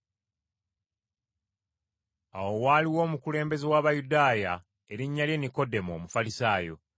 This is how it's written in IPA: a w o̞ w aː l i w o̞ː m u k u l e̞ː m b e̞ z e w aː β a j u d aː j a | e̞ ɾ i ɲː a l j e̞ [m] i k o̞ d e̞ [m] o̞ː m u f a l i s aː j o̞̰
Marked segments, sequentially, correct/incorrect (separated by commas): incorrect, correct